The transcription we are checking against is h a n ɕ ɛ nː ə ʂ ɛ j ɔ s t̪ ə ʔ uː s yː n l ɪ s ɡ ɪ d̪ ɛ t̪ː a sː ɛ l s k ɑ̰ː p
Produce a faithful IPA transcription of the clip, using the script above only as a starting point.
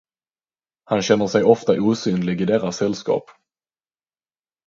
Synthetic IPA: h a n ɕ ɛ nː ə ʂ ɛ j ɔ f t̪ a ʔ uː s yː n l ɪ ɡ ɪ d̪ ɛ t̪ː a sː ɛ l s k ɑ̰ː p